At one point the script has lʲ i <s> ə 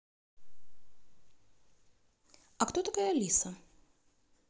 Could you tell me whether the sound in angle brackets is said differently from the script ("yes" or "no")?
no